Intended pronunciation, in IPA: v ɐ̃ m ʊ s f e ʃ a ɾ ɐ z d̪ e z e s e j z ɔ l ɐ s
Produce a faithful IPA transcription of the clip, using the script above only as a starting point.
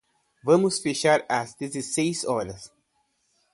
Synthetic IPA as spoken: v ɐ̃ m ʊ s f e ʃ a ɾ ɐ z d̪ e z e s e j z ɔ ɾ ɐ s